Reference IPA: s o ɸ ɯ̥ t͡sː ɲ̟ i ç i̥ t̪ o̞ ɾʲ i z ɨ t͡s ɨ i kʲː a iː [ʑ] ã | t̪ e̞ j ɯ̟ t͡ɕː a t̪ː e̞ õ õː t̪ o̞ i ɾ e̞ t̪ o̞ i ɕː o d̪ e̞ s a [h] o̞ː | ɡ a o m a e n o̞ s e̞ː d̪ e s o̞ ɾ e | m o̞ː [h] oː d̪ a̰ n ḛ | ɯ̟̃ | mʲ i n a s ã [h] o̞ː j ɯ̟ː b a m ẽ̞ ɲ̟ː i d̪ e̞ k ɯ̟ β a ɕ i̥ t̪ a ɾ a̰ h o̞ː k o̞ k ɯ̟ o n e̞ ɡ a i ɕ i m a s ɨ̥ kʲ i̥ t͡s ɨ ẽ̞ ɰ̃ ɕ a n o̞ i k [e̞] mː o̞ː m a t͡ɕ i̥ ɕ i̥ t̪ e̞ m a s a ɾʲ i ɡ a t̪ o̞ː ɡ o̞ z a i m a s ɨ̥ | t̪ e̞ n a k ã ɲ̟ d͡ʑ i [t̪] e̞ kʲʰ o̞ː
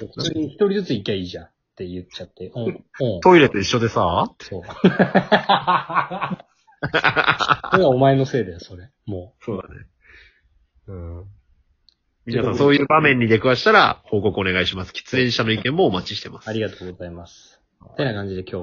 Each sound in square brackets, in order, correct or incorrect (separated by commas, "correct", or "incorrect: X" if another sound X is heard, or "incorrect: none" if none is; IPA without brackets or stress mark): correct, incorrect: s, incorrect: s, incorrect: s, incorrect: ẽ̞, incorrect: d̪